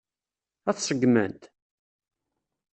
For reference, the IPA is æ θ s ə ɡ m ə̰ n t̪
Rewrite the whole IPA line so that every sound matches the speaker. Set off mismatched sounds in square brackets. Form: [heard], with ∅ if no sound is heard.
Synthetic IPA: æ θ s ə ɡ m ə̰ n t̪